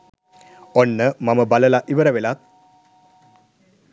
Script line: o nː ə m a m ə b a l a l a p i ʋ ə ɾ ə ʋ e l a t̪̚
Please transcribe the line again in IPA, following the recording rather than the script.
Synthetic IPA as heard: o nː ə m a m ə b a l ə l a ʔ i ʋ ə ɾ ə ʋ e l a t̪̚